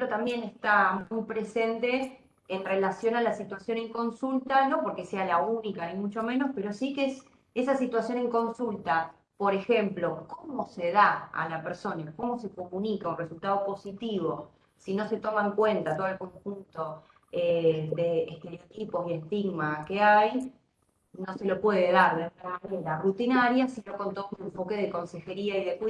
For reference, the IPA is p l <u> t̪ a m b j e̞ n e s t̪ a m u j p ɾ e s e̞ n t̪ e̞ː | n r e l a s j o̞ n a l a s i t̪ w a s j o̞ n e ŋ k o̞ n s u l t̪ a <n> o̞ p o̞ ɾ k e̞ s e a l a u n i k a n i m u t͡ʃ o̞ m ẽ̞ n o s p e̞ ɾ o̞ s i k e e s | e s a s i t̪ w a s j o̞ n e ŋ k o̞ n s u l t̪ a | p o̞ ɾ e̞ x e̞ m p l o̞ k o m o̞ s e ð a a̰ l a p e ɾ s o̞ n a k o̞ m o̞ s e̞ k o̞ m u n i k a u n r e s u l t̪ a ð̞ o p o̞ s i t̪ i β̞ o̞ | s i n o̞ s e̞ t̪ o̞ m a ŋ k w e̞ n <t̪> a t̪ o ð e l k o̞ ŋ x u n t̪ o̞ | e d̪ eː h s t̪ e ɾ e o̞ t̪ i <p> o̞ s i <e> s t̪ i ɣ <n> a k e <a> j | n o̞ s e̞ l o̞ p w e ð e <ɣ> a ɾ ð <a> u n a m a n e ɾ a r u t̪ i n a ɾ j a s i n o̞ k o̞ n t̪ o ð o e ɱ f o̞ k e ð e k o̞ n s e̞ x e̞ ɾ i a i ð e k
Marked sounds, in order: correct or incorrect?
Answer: incorrect: o, correct, correct, correct, correct, incorrect: m, correct, incorrect: ð, incorrect: e

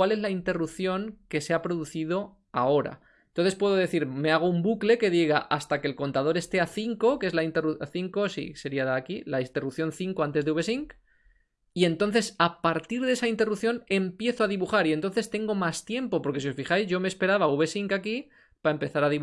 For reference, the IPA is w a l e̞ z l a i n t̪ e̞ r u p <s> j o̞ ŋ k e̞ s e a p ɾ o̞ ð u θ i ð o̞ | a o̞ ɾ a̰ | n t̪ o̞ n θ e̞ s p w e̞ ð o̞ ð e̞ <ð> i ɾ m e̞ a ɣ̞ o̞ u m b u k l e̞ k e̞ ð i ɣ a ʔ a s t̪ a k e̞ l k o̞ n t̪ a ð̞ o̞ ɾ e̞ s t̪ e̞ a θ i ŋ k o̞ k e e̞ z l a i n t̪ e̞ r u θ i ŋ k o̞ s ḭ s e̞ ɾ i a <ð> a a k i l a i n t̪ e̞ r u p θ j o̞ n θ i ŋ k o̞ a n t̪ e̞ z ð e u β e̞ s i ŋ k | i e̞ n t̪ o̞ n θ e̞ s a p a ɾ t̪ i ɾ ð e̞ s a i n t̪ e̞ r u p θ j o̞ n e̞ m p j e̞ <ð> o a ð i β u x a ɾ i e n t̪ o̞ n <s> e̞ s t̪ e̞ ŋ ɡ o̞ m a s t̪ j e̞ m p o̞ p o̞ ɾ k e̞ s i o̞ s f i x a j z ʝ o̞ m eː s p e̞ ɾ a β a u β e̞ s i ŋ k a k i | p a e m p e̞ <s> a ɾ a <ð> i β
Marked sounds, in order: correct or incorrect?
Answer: incorrect: θ, incorrect: θ, correct, incorrect: θ, incorrect: θ, incorrect: θ, correct

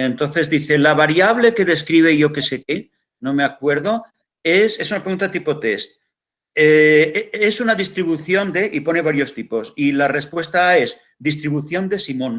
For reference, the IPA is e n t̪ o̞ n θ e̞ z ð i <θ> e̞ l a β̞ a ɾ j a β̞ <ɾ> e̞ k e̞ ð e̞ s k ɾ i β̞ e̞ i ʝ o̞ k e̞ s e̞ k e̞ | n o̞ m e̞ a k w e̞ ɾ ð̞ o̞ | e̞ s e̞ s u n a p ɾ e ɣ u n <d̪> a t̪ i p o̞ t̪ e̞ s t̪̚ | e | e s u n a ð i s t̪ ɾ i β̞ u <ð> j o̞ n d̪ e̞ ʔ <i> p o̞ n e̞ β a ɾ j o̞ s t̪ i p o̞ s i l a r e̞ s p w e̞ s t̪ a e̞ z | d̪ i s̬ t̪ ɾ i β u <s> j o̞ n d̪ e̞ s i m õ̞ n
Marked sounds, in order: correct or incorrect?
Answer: correct, incorrect: l, incorrect: t̪, incorrect: θ, correct, incorrect: θ

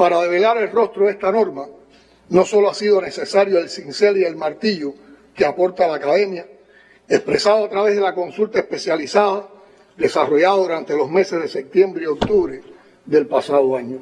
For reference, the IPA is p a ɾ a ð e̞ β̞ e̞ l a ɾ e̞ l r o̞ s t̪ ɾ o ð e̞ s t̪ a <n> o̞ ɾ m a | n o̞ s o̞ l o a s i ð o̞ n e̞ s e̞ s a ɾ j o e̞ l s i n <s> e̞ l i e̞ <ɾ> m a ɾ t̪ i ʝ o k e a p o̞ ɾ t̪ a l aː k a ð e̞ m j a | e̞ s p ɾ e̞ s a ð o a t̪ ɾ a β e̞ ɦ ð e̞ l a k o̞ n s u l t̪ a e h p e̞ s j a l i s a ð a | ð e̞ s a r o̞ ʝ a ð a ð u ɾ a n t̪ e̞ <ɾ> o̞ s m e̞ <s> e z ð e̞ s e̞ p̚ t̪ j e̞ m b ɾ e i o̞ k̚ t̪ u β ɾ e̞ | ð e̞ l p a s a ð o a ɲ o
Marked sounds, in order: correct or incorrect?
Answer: correct, correct, incorrect: l, incorrect: l, correct

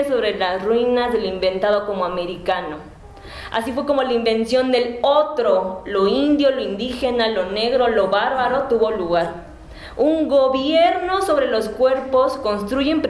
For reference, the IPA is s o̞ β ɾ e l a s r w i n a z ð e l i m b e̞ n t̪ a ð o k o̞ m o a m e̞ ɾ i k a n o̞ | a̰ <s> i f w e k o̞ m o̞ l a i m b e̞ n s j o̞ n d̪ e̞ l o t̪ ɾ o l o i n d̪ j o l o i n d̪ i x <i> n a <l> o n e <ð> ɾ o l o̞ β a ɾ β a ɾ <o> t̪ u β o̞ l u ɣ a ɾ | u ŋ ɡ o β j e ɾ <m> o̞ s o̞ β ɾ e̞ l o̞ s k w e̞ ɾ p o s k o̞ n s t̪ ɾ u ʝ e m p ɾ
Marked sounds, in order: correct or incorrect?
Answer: correct, incorrect: e, correct, incorrect: ɣ, correct, incorrect: n

